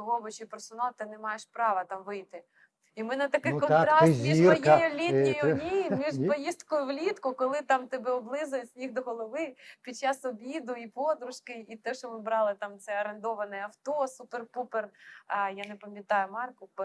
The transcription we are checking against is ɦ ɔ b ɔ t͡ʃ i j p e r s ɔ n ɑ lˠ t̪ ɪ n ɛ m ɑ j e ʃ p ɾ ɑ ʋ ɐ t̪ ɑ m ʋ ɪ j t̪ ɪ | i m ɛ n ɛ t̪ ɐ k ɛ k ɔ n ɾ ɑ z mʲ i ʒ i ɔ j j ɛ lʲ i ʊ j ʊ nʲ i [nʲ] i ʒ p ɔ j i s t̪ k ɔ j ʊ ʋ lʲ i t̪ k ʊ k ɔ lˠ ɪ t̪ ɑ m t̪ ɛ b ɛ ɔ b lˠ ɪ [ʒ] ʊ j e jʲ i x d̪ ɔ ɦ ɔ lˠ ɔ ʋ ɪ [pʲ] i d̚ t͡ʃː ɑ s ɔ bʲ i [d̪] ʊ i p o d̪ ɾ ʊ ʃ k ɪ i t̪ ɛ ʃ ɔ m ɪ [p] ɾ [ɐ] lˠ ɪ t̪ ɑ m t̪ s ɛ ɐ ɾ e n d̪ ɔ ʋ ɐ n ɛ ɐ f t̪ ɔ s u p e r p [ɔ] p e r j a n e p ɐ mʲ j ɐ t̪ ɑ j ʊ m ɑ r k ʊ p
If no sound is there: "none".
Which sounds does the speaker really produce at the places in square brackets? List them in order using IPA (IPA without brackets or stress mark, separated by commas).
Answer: mʲ, z, pʲ, d̪, b, ɑ, u